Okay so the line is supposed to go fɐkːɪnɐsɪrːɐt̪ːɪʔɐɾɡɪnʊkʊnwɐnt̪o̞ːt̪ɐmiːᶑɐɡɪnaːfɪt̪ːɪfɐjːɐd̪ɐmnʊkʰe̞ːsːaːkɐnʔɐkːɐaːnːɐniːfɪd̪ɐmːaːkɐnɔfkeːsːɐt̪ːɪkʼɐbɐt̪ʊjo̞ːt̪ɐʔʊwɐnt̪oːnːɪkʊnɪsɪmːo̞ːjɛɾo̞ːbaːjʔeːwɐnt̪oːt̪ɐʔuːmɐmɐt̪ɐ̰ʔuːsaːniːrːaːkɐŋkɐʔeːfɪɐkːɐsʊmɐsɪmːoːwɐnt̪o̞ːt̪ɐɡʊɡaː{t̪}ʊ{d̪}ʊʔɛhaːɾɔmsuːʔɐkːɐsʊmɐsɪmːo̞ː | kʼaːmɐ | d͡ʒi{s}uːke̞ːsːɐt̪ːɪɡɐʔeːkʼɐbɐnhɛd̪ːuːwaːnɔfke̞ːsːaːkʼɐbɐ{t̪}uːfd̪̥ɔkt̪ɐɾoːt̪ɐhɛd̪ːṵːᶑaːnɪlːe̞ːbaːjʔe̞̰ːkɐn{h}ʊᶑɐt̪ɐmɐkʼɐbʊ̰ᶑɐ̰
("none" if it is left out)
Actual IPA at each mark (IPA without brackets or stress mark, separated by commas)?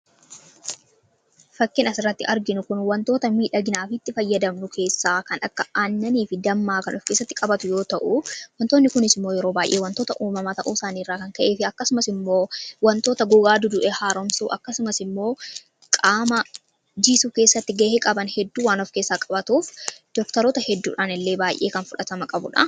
d̪, d̪, s, t̪, f